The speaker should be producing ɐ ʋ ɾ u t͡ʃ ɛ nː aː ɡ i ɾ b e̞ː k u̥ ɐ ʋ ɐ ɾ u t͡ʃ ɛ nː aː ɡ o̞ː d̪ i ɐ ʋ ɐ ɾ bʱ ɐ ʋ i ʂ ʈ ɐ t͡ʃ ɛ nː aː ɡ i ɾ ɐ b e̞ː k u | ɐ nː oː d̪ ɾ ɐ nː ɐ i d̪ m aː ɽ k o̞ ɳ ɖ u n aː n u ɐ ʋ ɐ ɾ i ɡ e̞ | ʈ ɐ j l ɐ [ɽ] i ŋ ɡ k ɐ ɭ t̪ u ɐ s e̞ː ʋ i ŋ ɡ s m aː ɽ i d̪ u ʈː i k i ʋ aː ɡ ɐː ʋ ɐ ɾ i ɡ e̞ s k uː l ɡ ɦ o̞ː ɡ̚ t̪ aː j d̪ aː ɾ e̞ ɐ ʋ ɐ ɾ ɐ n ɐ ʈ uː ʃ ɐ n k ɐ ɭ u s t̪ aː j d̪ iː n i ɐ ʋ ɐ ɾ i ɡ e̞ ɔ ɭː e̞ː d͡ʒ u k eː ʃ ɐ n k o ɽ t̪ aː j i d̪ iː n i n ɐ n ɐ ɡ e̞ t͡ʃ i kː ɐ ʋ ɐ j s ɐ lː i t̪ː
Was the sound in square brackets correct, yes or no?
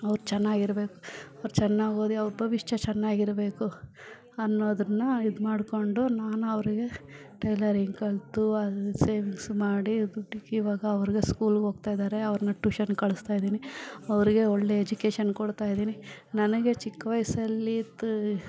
no